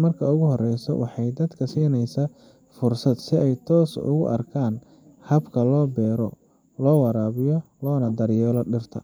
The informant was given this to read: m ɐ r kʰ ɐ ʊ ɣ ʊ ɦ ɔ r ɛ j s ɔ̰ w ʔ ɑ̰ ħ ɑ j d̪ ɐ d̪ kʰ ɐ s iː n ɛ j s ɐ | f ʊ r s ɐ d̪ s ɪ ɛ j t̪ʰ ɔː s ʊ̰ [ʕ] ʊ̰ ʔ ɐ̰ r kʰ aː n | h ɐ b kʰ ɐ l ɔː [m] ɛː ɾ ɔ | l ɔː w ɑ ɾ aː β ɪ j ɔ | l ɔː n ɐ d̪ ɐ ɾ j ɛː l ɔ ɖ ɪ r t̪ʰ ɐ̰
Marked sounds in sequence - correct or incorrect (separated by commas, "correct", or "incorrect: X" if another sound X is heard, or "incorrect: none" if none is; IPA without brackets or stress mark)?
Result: incorrect: ɣ, incorrect: b